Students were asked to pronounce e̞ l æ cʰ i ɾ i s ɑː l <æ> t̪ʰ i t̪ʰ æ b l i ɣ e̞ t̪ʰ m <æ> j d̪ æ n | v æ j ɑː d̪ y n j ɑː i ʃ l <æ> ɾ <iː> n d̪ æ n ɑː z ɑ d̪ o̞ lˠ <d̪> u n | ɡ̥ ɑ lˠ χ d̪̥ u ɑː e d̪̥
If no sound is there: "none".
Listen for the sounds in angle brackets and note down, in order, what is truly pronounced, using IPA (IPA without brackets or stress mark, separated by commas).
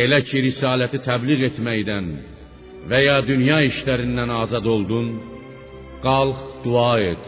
æ, æ, æ, i, d̪